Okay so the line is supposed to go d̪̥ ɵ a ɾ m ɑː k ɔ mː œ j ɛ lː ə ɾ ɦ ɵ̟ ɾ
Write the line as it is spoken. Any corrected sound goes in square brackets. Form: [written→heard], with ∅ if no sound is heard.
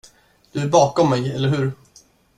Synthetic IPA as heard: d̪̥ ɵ [a→æ] ɾ [m→b] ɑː k ɔ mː [œ→ɛ] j ɛ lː ə ɾ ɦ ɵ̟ ɾ